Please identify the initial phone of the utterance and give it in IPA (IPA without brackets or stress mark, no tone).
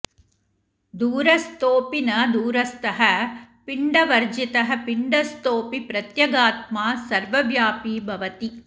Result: d̪